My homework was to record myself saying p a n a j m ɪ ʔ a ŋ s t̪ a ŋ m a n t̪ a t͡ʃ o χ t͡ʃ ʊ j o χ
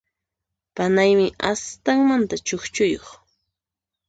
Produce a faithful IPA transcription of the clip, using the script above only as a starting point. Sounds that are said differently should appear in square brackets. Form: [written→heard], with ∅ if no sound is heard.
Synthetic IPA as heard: p a n a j m ɪ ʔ a [ŋ→∅] s t̪ a ŋ m a n t̪ a t͡ʃ o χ t͡ʃ ʊ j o χ